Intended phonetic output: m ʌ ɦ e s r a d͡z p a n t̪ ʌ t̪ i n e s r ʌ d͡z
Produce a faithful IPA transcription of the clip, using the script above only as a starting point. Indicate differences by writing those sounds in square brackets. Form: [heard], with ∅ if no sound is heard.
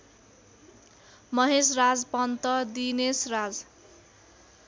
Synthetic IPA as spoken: m ʌ ɦ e s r a d͡z p [ʌ] n t̪ ʌ [d̪] i n e s r [a] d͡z

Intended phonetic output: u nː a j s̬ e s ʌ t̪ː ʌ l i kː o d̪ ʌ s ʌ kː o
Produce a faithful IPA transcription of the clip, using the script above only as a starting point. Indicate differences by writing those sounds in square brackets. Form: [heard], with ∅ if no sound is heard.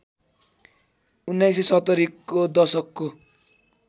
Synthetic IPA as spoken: u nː a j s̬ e s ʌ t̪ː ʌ [ɾ] i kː o d̪ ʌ s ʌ kː o

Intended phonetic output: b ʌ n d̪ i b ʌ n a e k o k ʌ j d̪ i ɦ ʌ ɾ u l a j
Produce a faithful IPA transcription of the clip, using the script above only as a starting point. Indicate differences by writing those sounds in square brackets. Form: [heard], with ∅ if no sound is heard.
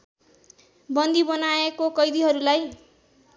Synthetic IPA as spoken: b ʌ n d̪ i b ʌ n a e k o k ʌ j d̪ i ɦ ʌ ɾ u l a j

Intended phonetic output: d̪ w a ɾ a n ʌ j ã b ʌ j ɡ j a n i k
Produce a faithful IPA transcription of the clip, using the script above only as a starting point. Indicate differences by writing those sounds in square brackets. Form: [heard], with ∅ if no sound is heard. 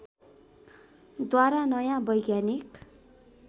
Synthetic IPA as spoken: d̪ w a ɾ a n ʌ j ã b ʌ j ɡ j a n i k

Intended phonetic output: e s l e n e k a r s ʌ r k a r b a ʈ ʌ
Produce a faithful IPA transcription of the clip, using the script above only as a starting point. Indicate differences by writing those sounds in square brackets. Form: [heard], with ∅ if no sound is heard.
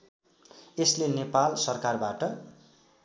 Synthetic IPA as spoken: e s l e n e [p] a [l] s ʌ r k a r b a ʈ ʌ

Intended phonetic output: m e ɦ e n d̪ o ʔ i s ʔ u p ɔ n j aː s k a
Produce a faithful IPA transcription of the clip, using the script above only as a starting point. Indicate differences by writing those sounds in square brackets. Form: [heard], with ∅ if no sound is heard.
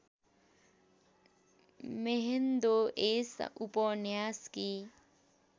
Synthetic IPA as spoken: m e ɦ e n d̪ o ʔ [e] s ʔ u p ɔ n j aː s k [i]

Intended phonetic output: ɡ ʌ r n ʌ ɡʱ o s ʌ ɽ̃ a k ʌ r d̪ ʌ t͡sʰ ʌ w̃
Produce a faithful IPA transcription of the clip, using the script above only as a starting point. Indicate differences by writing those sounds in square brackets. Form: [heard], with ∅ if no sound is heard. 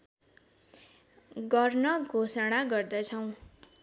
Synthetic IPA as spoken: ɡ ʌ r n ʌ ɡʱ o s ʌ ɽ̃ a [ɡ] ʌ r d̪ ʌ t͡sʰ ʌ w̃

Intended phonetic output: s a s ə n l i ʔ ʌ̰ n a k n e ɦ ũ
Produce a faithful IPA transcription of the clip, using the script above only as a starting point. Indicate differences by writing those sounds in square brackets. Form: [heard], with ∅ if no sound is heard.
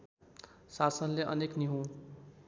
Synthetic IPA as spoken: s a s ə n l [e] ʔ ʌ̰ n [e] k n [i] ɦ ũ

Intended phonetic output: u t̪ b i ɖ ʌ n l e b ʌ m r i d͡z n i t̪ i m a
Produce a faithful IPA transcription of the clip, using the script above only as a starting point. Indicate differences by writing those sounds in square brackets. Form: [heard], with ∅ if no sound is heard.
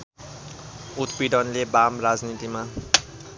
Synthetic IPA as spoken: u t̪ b i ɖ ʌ n l e b [a] m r [a] d͡z n i t̪ i m a

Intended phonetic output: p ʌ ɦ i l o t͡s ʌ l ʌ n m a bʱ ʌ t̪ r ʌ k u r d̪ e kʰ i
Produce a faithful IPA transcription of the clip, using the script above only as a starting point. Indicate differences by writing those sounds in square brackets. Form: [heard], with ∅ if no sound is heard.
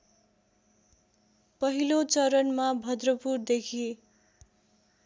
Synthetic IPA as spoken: p ʌ ɦ i l o t͡s ʌ [ɾ] ʌ n m a bʱ ʌ [d̪] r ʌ [p] u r d̪ e kʰ i

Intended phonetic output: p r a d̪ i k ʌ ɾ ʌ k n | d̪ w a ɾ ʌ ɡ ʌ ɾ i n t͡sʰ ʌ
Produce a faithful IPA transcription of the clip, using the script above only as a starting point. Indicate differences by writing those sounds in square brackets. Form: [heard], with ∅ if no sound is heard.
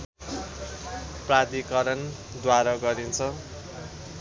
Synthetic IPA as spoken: p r a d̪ i k ʌ ɾ ʌ [∅] n | d̪ w a ɾ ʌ ɡ ʌ ɾ i n t͡sʰ ʌ

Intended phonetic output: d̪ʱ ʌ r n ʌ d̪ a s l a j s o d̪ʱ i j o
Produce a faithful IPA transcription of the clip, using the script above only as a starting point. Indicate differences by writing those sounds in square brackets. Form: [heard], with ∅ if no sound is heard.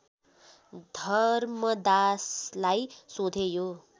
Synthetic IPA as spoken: d̪ʱ ʌ r [m] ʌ d̪ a s l a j s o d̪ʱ [e] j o

